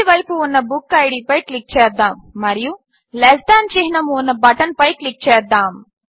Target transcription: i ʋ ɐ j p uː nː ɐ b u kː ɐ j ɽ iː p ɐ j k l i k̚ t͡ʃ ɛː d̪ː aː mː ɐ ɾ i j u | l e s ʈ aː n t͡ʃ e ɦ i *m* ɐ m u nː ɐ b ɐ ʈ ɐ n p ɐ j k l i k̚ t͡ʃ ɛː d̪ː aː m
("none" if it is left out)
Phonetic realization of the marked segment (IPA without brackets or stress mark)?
n